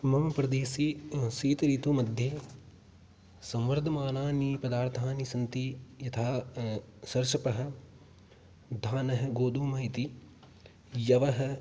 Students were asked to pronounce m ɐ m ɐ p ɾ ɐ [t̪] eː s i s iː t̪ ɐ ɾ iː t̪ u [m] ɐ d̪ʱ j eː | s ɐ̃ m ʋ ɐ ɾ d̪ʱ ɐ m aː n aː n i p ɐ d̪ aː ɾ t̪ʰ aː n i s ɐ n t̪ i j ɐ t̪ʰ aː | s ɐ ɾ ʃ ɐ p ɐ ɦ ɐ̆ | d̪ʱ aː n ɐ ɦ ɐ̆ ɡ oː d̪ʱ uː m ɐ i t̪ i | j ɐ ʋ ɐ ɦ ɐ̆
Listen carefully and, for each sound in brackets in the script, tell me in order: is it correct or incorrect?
incorrect: d̪, correct

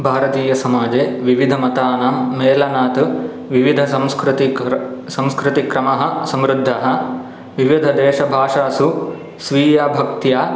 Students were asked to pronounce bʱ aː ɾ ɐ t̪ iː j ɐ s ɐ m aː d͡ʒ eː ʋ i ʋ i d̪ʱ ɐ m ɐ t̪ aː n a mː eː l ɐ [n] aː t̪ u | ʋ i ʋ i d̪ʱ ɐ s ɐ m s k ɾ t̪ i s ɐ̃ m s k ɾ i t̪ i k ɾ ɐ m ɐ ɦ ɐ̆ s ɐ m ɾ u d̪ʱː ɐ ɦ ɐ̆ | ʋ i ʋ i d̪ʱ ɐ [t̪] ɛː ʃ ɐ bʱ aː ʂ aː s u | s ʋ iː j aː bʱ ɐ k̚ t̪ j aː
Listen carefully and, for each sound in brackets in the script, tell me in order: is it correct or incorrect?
correct, incorrect: d̪

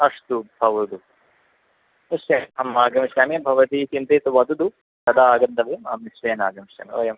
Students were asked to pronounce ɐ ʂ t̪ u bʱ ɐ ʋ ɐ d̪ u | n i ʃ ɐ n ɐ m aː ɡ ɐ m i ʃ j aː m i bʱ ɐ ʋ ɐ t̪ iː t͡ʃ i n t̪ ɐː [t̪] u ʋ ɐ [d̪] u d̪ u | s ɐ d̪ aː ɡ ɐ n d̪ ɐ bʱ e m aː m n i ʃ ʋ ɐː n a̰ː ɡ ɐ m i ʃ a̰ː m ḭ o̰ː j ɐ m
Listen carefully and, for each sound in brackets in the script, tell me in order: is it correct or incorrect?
correct, correct

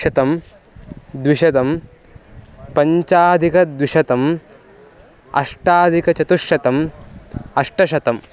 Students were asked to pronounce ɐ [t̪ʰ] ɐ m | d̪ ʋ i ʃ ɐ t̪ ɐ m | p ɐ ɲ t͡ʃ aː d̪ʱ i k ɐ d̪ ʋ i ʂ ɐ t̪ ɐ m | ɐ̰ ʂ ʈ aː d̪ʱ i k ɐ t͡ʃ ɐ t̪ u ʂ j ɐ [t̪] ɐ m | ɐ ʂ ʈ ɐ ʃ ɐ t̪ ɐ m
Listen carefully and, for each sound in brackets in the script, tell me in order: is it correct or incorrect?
incorrect: t̪, correct

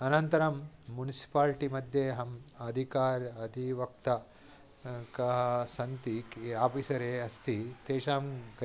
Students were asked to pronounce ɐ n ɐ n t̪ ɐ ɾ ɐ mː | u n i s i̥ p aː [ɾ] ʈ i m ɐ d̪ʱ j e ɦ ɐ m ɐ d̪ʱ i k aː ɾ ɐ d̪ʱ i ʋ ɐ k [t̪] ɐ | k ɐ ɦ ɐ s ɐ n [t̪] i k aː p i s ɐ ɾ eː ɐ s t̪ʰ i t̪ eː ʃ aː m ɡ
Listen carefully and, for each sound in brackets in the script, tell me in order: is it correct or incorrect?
incorrect: l, correct, correct

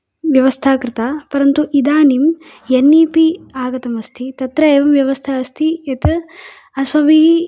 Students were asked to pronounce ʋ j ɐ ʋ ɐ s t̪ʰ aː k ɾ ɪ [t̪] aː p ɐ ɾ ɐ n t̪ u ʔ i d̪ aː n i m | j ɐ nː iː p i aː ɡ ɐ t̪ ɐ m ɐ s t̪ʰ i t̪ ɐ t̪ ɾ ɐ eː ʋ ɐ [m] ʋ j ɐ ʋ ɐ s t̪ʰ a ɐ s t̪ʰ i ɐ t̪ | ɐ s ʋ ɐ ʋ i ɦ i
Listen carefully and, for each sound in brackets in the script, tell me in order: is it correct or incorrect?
correct, correct

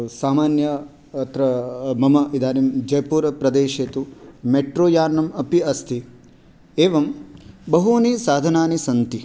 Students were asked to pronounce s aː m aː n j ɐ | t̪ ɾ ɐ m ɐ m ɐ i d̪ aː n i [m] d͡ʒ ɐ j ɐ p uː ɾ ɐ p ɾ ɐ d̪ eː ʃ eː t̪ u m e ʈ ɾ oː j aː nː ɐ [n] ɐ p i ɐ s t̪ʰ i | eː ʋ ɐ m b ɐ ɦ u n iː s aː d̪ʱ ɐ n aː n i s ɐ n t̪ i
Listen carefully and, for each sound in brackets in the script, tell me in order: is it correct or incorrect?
correct, incorrect: m

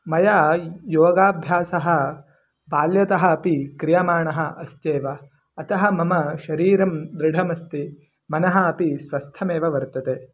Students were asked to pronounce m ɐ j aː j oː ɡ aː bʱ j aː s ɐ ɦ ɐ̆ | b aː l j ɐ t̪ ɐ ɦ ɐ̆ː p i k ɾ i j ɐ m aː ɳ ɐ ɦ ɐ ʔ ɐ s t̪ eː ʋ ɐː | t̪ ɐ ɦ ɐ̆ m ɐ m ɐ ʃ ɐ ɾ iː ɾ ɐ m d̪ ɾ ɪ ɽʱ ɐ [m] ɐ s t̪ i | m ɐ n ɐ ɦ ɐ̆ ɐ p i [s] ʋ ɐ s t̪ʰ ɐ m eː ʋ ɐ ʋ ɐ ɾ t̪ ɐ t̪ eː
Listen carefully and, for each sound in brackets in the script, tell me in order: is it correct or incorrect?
correct, correct

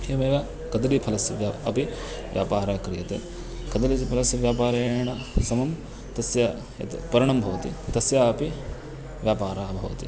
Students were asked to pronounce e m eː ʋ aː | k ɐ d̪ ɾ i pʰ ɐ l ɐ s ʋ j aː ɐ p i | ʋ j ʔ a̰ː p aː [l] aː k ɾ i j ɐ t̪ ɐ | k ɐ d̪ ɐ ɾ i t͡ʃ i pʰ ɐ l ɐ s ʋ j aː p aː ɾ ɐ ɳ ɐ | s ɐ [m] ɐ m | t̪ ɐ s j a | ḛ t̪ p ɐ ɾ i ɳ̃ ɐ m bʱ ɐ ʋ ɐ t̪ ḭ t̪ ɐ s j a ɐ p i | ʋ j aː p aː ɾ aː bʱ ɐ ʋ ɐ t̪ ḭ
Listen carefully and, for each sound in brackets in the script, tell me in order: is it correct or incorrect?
incorrect: ɾ, correct

